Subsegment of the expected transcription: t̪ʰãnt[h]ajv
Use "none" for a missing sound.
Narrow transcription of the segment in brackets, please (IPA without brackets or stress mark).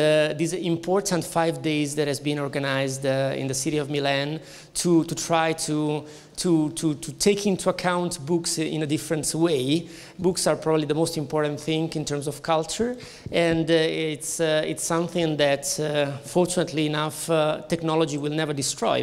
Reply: f